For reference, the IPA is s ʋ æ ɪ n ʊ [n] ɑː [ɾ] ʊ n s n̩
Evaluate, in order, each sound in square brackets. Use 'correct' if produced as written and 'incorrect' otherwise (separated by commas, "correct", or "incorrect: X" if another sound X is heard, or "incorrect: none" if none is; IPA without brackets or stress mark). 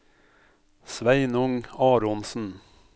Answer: incorrect: ŋ, correct